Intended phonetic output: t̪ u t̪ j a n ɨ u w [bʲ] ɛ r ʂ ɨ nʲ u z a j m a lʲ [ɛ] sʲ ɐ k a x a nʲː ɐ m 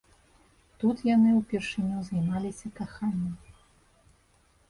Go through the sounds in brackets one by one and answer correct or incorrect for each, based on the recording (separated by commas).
incorrect, incorrect